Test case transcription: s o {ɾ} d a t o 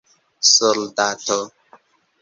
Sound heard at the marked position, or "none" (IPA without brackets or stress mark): l